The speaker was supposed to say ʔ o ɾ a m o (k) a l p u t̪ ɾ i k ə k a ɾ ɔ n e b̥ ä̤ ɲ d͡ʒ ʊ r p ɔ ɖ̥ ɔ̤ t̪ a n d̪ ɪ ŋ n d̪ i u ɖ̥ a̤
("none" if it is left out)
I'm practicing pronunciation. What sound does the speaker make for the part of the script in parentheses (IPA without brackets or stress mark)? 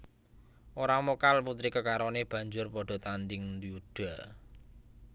k